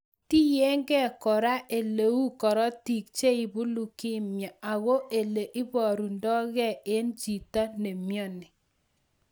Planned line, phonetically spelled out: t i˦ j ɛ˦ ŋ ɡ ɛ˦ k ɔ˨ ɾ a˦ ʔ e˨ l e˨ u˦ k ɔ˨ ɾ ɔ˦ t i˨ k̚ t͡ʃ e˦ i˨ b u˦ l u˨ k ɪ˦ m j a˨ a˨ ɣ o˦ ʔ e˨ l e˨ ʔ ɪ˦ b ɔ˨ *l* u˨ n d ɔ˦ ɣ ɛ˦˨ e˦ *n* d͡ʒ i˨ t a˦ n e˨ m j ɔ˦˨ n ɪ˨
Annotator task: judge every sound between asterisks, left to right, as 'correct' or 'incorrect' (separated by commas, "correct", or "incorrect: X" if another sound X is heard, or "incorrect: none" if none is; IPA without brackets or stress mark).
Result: incorrect: ɾ, correct